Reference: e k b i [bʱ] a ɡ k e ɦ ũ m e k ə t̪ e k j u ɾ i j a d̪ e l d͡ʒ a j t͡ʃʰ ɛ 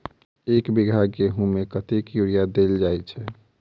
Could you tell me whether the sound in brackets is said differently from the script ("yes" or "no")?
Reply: yes